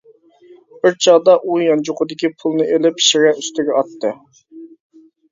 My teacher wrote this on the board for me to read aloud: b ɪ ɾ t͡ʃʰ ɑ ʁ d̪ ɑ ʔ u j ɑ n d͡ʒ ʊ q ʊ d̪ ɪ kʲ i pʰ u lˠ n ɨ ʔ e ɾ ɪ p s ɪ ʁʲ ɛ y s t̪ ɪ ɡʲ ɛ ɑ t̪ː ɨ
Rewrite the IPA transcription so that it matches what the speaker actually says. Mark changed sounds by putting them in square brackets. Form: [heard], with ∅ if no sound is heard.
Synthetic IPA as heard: b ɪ ɾ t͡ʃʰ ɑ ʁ d̪ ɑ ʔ u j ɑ n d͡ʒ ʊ q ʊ d̪ ɪ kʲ i pʰ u lˠ n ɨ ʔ e [l] ɪ p [ʃ] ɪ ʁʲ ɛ y s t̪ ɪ ɡʲ ɛ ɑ t̪ː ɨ